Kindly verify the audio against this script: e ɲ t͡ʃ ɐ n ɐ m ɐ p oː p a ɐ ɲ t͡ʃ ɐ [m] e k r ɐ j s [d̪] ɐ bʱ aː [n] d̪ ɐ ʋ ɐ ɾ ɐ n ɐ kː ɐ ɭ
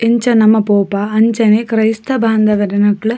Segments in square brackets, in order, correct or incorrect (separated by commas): incorrect, incorrect, correct